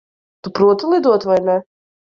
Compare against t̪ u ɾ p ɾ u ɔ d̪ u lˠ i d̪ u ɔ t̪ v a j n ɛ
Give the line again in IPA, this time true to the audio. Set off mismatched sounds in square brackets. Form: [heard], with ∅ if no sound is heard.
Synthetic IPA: t̪ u [∅] p ɾ u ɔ [t̪] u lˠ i d̪ u ɔ t̪ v a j n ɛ